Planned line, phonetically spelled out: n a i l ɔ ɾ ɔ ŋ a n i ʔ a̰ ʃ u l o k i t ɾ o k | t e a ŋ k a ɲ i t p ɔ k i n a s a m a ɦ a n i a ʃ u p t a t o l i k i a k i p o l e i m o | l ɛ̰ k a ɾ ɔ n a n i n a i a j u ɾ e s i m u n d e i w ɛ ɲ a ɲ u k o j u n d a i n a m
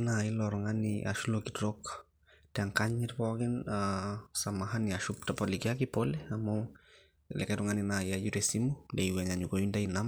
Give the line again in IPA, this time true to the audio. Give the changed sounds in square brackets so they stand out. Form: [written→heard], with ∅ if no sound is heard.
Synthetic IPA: n a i l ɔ ɾ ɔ ŋ a n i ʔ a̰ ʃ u l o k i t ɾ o k | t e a ŋ k a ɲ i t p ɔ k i n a s a m a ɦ a n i a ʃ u p t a [t→p] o l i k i a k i p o l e [i→a] m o | l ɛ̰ k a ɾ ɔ [n→ŋ] a n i n a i a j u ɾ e s i m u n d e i w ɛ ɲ a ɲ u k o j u n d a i n a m